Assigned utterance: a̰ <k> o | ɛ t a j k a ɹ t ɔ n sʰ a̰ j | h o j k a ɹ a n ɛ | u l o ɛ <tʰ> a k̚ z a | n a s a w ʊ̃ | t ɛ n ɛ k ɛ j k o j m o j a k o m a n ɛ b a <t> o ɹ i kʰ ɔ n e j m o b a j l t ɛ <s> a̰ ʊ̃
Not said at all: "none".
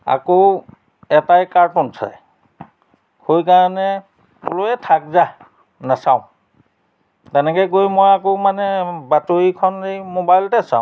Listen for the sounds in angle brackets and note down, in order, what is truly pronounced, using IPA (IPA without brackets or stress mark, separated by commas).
k, tʰ, t, s